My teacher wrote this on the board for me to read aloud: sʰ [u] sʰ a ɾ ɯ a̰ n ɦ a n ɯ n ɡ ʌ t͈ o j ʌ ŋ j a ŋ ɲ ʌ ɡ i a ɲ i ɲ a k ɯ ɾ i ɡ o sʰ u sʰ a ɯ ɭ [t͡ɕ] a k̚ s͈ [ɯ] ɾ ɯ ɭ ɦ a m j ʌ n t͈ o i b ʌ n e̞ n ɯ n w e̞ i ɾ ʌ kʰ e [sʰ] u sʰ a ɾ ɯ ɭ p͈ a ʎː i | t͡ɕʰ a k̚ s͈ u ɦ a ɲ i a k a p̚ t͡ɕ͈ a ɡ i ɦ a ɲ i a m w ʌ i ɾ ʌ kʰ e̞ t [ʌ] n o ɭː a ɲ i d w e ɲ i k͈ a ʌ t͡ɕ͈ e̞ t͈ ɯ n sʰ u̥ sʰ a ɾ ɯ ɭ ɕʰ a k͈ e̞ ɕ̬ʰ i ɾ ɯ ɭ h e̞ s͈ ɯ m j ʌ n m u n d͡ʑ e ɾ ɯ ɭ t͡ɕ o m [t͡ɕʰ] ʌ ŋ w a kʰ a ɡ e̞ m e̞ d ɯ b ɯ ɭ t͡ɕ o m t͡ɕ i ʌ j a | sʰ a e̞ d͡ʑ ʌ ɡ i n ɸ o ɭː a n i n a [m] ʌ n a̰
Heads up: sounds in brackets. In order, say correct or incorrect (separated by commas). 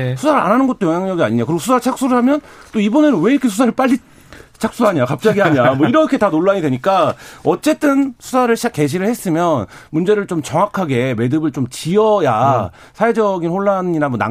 correct, incorrect, incorrect, correct, incorrect, incorrect, correct